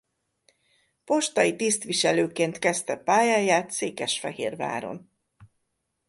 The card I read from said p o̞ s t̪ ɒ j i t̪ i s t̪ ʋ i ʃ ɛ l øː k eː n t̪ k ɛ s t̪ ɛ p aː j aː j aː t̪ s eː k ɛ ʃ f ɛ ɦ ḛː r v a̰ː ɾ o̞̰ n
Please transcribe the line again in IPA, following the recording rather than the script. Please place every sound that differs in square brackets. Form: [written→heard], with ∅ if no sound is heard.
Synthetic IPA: p o̞ [s→ʃ] t̪ ɒ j i t̪ i s t̪ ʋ i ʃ ɛ l øː k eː n t̪ k ɛ s t̪ ɛ p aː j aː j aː t̪ s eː k ɛ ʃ f ɛ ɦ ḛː r v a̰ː ɾ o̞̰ n